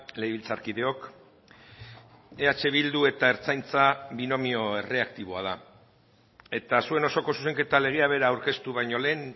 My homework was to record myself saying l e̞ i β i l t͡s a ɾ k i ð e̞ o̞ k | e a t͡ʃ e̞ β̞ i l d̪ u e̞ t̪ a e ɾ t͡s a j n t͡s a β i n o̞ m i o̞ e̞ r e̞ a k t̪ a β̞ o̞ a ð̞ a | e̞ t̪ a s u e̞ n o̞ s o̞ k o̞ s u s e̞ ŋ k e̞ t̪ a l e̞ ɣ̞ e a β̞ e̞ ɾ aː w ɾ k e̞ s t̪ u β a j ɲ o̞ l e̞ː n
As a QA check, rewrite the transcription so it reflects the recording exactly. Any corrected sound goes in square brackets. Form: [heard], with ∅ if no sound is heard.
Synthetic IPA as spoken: l e̞ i β i l t͡s a ɾ k i ð e̞ o̞ k | e a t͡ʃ e̞ β̞ i l d̪ u e̞ t̪ a e ɾ t͡s a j n t͡s a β i n o̞ m i o̞ e̞ r e̞ a k t̪ [i] β̞ o̞ a ð̞ a | e̞ t̪ a s u e̞ n o̞ s o̞ k o̞ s u s e̞ ŋ k e̞ t̪ a l e̞ ɣ̞ e a β̞ e̞ ɾ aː w ɾ k e̞ s t̪ u β a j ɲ o̞ l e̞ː n